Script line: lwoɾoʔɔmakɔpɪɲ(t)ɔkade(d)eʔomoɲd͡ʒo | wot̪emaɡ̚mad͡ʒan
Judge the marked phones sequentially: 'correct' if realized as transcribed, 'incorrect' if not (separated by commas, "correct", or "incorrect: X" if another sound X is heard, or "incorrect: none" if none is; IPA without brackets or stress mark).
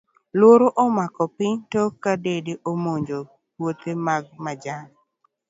correct, correct